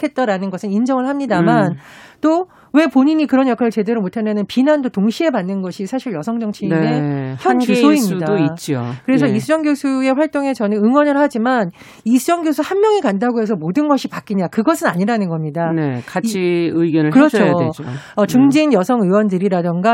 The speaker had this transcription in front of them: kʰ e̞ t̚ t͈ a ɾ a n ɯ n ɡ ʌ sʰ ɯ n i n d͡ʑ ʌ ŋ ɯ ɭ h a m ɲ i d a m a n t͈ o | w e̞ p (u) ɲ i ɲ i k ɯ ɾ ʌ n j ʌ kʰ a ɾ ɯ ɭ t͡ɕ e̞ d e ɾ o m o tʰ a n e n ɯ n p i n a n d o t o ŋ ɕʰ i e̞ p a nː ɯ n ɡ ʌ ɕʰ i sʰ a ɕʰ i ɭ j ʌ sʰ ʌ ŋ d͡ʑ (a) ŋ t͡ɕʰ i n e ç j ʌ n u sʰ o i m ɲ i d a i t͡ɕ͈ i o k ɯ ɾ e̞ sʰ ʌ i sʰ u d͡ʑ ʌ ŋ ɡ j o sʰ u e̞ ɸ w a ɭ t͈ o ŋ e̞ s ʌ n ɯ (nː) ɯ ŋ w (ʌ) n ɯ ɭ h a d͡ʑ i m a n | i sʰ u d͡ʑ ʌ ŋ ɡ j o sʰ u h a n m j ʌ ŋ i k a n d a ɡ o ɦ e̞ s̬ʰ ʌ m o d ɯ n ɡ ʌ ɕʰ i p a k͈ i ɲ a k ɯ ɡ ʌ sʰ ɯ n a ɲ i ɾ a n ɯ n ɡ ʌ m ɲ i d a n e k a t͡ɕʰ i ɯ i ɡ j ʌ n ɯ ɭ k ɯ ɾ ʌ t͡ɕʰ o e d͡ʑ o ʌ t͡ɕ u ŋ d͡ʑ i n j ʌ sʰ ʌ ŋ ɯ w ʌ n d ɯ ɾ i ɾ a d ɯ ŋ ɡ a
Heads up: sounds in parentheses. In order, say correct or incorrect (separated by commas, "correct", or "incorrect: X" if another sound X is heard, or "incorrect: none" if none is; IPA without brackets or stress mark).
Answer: incorrect: o, incorrect: ʌ, incorrect: n, correct